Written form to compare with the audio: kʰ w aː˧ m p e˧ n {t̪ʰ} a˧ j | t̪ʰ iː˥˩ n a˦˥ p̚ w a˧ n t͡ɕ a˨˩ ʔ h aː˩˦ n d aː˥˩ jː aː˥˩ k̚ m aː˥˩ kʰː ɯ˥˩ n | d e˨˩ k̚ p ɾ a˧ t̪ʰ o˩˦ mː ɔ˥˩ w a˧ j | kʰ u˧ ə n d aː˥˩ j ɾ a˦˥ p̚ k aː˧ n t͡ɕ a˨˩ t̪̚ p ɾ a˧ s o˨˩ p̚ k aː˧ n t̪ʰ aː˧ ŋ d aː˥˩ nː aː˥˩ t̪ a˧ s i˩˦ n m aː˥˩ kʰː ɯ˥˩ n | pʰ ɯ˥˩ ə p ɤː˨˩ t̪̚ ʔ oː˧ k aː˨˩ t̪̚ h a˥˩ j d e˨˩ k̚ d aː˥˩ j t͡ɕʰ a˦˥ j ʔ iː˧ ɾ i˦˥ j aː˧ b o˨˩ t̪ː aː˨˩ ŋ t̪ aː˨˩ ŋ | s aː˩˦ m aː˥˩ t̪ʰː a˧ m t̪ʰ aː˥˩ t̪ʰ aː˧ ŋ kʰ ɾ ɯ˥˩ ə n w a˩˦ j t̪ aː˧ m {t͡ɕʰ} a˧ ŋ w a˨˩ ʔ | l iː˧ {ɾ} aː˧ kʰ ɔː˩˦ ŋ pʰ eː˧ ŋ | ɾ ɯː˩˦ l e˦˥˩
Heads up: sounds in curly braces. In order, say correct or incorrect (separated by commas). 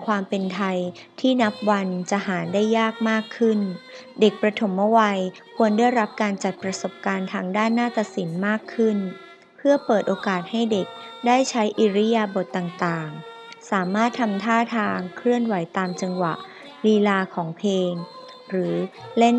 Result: correct, incorrect, incorrect